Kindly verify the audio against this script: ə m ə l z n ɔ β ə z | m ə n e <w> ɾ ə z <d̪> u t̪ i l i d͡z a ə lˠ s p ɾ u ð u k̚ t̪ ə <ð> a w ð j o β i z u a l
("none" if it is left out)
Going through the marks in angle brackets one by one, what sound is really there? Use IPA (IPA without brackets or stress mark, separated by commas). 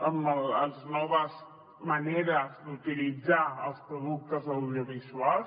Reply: none, d̪, z